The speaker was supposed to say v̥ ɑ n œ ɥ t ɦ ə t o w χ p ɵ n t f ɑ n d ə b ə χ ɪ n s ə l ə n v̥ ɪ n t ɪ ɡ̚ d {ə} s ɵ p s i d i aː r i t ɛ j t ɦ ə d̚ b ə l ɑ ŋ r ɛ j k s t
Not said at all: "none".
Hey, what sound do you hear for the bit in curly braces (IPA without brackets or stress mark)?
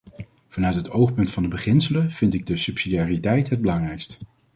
ə